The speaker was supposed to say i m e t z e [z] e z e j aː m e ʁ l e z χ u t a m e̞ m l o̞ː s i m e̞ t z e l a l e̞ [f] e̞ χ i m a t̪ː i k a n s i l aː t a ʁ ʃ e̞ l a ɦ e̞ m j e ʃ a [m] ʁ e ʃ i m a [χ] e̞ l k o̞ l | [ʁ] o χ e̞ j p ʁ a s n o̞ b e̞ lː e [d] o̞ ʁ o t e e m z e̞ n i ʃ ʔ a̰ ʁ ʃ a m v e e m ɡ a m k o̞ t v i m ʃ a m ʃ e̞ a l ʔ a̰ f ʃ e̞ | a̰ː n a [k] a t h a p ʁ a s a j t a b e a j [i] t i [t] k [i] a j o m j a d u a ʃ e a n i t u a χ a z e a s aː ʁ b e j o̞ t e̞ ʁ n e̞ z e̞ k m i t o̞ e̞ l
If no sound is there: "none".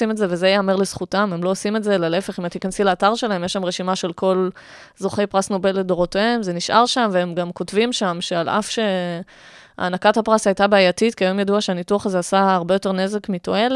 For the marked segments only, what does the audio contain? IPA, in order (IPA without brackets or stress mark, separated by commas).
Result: v, f, m, ʃ, z, d, k, a, t, i